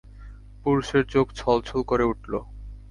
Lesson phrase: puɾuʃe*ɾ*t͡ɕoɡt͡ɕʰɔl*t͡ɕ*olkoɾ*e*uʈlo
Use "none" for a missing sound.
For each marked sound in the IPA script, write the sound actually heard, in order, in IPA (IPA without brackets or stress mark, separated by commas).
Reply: ɾ, t͡ɕʰ, e